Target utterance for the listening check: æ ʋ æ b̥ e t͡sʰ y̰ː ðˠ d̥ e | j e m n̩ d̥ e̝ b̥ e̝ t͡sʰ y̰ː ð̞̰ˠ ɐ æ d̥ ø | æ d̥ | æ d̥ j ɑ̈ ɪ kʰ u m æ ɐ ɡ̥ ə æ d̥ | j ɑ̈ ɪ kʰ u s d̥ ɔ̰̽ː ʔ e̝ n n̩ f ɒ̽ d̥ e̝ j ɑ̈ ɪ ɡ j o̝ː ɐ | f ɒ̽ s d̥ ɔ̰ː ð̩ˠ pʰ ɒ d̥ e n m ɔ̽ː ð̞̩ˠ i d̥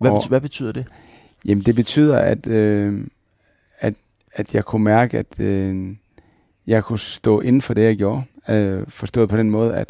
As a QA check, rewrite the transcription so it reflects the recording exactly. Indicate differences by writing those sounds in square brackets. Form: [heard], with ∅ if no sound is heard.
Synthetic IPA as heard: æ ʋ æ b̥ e t͡sʰ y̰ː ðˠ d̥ e | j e m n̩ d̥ e̝ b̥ e̝ t͡sʰ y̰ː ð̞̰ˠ ɐ æ d̥ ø | æ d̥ | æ d̥ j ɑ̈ ɪ kʰ u m æ ɐ ɡ̥ ə æ d̥ | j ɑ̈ ɪ kʰ u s d̥ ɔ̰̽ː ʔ e̝ n n̩ f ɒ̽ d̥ e̝ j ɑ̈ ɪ ɡ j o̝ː ɐ | f ɒ̽ s d̥ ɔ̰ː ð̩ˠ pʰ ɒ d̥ e n m ɔ̽ː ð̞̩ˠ [æ] d̥